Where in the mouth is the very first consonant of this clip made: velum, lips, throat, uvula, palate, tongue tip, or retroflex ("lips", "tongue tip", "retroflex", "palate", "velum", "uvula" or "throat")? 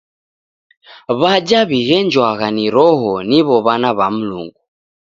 lips